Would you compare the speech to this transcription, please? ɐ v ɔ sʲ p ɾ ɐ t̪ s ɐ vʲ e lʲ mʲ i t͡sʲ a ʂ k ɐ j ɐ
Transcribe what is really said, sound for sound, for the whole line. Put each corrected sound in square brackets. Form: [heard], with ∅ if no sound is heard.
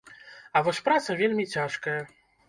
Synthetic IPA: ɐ v ɔ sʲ p ɾ [a] t̪ s ɐ vʲ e lʲ mʲ i t͡sʲ a ʂ k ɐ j ɐ